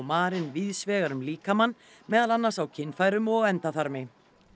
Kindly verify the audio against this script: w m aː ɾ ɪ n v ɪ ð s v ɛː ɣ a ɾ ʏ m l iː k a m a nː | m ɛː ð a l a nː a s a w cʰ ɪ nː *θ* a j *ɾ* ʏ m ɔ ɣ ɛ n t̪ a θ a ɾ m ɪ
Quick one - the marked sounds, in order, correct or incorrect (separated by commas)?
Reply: incorrect, correct